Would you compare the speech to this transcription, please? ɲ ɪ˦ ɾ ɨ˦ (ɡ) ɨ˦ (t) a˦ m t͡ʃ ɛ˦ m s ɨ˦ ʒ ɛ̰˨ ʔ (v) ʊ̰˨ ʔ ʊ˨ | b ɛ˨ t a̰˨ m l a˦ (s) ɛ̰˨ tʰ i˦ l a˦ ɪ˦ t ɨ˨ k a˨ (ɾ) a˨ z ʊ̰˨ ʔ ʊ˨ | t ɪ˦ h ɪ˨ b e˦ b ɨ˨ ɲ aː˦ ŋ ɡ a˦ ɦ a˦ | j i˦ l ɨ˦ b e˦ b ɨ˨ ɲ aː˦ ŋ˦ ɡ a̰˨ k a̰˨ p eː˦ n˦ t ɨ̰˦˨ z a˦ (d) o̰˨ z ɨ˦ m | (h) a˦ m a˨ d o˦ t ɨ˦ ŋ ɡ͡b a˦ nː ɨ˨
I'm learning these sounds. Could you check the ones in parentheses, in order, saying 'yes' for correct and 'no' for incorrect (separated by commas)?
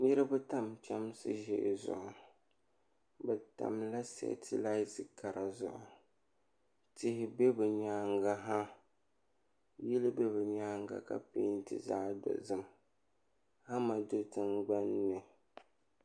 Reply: no, yes, no, yes, yes, yes, yes